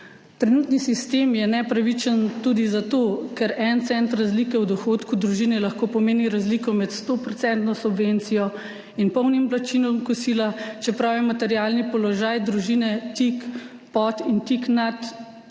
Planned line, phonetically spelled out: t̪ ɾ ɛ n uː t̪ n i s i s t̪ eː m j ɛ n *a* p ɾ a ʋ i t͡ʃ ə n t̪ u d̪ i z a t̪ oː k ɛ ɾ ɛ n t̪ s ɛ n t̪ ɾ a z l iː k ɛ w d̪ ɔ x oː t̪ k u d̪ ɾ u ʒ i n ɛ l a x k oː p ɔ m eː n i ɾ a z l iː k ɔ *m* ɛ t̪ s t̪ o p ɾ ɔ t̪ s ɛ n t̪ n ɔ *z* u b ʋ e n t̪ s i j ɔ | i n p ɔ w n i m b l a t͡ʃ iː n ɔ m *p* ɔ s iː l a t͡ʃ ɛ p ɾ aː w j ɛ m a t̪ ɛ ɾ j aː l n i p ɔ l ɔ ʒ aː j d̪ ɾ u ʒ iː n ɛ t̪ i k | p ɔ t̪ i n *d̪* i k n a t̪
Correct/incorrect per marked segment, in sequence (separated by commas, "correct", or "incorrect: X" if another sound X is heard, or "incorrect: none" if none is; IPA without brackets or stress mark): incorrect: ɛ, correct, incorrect: s, incorrect: k, incorrect: t̪